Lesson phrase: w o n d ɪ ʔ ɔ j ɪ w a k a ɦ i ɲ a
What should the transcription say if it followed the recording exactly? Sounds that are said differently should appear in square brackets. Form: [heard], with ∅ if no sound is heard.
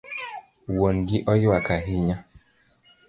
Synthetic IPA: w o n [ɡ] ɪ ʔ ɔ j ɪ w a k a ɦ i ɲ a